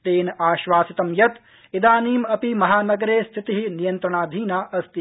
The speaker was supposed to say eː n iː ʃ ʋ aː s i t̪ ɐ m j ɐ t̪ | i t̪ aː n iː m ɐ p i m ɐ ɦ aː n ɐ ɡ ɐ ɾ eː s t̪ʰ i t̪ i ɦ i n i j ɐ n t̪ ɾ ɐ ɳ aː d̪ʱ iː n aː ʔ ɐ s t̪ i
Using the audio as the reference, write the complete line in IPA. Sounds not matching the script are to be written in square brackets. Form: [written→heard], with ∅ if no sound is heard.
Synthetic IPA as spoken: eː n [iː→aː] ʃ ʋ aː s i t̪ ɐ m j ɐ t̪ | i [t̪→d̪] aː n iː m ɐ p i m ɐ ɦ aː n ɐ ɡ ɐ ɾ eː s t̪ʰ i t̪ i ɦ i n i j ɐ n t̪ ɾ ɐ ɳ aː d̪ʱ iː n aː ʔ ɐ s t̪ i